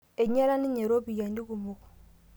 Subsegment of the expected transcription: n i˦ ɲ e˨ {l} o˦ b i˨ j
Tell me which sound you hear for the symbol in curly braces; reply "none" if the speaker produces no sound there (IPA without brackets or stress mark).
ɾ